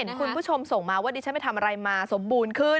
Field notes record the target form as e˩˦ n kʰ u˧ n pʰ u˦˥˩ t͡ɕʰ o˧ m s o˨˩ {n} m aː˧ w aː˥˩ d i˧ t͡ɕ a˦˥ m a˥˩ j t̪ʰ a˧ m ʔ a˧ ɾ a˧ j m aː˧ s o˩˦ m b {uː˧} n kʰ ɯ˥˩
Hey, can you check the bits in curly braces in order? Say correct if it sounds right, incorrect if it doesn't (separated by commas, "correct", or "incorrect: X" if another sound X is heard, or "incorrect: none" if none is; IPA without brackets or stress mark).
incorrect: ŋ, correct